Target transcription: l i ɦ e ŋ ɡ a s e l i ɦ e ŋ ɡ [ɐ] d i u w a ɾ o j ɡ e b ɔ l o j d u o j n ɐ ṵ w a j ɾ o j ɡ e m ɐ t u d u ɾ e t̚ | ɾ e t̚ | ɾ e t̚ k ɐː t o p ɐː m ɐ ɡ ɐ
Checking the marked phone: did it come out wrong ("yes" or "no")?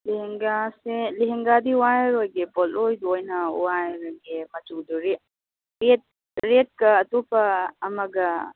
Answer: yes